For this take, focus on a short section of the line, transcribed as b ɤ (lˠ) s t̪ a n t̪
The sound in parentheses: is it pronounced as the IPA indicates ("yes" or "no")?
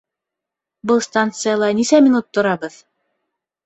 yes